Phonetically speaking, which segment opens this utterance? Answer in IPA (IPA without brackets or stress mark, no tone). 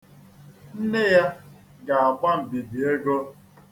n̩